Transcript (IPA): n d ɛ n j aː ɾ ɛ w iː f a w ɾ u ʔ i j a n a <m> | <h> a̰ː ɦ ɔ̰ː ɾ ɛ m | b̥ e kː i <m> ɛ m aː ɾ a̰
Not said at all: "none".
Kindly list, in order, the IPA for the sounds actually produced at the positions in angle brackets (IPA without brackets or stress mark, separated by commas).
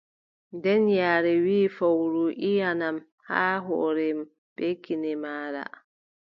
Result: m, h, n